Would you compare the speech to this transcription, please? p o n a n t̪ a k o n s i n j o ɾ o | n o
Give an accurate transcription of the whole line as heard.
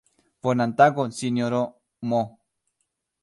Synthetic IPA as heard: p o n a n t̪ a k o n s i n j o ɾ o | m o